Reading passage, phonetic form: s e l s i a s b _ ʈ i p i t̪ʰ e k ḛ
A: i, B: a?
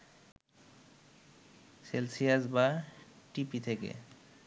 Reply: B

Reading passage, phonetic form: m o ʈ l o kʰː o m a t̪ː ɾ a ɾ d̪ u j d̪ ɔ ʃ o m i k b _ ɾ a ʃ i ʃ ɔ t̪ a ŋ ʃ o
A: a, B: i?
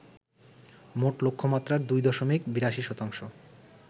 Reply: B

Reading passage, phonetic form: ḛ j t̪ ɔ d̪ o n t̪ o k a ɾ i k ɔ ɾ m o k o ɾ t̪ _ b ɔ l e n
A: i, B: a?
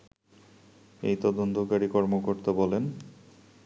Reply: B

